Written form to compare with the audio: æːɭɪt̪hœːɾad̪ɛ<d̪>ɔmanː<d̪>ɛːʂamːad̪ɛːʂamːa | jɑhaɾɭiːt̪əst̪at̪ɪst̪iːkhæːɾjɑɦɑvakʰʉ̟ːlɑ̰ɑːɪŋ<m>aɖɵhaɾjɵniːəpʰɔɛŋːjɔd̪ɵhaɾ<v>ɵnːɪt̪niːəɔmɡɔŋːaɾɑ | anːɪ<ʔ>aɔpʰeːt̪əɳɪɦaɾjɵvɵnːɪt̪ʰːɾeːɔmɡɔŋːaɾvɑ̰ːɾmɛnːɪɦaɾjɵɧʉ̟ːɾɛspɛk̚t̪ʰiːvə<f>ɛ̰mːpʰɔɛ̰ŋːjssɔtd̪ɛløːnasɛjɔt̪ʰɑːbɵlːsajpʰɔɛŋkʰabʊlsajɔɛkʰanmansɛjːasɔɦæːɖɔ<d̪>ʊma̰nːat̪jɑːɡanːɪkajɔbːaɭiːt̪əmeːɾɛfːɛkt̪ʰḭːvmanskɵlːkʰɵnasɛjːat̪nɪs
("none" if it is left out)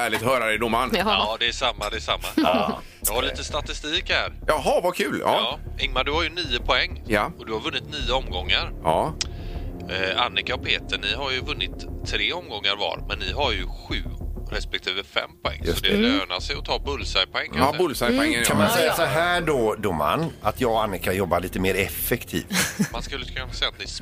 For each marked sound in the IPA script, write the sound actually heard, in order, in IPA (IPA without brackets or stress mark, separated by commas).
d̪, d̪, m, v, k, f, d̪